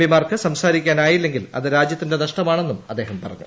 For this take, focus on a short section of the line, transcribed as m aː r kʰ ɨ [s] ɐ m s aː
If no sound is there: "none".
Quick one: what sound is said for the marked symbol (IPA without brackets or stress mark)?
s